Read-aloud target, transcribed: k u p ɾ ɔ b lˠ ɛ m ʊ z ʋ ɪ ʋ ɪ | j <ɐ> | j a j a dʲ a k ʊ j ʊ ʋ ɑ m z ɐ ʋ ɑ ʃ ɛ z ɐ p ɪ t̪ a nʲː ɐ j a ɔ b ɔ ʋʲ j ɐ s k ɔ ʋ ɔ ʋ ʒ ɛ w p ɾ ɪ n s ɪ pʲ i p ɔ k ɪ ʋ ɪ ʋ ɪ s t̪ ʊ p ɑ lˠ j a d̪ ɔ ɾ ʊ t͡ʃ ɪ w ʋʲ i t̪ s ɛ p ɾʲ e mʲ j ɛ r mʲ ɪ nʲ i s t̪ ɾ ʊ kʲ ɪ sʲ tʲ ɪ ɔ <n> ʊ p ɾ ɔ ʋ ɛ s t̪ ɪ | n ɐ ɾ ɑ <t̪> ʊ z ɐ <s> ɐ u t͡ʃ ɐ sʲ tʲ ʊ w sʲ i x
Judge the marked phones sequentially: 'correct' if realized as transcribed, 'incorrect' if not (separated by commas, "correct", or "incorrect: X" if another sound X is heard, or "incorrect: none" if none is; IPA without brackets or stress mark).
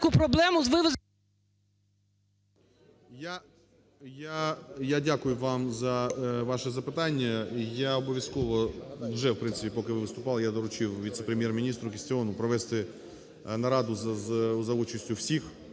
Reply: incorrect: a, correct, incorrect: d̪, incorrect: z